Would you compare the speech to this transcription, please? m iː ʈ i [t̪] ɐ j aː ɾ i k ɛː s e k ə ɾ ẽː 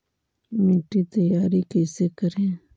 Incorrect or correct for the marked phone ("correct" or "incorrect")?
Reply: correct